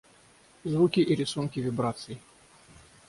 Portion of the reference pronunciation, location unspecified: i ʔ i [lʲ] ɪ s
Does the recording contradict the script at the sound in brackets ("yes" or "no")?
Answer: yes